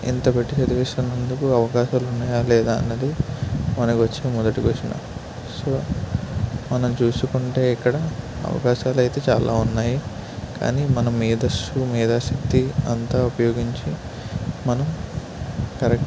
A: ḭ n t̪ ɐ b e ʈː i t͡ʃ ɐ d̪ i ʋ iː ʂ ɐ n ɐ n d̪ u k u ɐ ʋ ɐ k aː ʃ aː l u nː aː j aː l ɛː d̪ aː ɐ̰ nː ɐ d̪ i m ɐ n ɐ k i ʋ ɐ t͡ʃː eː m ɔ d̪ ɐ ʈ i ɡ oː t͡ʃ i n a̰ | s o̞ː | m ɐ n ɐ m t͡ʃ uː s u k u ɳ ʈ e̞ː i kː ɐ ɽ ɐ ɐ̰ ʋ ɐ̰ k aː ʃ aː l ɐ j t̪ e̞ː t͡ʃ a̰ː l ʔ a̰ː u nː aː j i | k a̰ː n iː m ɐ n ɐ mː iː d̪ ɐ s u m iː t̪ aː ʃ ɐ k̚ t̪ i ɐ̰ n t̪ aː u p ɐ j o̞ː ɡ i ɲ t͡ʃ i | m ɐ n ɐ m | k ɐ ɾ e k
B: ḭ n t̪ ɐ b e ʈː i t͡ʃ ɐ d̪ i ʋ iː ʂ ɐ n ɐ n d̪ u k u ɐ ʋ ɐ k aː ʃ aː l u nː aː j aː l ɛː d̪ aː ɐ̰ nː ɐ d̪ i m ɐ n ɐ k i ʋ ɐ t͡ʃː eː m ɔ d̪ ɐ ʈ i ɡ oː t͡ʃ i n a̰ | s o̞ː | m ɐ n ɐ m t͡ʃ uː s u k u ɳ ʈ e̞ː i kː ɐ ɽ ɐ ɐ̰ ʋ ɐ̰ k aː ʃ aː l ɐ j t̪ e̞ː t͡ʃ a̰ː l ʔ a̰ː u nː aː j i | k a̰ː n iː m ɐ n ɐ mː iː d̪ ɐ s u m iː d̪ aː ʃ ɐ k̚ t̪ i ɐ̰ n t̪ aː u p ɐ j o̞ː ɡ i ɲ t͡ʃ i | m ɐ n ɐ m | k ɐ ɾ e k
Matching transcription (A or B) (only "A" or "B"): B